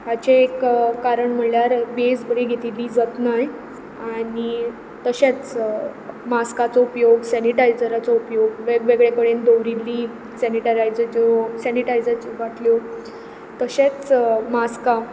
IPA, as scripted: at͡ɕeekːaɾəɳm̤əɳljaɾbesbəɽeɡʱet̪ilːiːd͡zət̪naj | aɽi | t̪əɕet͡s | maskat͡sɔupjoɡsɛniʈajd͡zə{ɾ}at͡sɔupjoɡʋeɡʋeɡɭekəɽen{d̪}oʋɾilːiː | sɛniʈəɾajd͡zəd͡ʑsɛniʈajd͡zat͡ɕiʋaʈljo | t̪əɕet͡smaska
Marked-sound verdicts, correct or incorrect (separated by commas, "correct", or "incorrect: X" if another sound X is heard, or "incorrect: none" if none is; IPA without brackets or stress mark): correct, correct